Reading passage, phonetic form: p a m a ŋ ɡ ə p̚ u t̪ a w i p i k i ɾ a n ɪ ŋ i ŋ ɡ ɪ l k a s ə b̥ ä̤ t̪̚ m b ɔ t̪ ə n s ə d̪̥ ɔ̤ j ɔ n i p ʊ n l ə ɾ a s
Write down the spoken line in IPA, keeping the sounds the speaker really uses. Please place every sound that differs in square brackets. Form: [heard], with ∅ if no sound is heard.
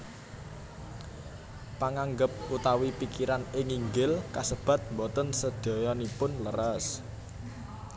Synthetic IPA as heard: p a [ŋ] a ŋ ɡ ə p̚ u t̪ a w i p i k i ɾ a n ɪ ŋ i ŋ ɡ ɪ l k a s ə b̥ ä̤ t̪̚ m b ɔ t̪ ə n s ə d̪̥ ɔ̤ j ɔ n i p ʊ n l ə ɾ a s